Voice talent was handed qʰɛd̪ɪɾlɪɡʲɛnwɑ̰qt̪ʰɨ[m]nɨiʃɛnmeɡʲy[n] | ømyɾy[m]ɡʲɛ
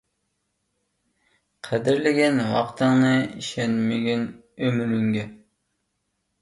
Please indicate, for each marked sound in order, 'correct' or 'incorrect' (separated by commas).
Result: incorrect, correct, incorrect